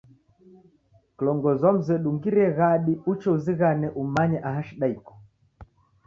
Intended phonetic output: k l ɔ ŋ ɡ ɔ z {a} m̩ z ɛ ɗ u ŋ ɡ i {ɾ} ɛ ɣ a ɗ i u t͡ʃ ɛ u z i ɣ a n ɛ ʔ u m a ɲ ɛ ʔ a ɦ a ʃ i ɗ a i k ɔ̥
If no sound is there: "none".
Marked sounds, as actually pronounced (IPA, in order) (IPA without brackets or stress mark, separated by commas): a, ɾ